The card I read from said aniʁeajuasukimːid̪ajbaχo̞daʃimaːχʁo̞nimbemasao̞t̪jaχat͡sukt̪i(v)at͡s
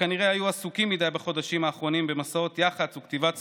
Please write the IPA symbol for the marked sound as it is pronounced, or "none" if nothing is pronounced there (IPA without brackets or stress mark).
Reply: v